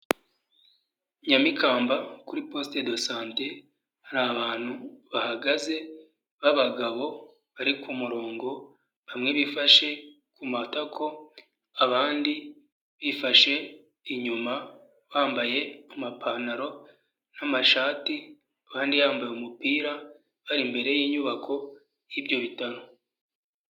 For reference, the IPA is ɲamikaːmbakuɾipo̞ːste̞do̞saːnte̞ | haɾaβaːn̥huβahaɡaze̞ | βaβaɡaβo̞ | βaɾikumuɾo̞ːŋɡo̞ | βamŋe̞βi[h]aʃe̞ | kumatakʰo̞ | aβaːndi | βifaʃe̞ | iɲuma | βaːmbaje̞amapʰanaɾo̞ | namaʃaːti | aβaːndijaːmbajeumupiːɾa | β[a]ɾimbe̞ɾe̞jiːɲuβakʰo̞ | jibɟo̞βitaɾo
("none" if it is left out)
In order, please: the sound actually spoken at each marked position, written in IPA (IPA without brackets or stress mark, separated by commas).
f, a